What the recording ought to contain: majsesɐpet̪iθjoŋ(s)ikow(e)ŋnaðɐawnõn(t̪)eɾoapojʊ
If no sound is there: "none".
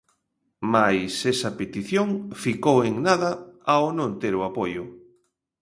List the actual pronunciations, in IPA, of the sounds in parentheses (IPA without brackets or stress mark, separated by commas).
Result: f, e, t̪